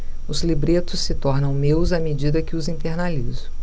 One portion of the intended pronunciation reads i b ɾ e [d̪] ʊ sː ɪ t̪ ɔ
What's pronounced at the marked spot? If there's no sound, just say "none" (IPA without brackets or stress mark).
t̪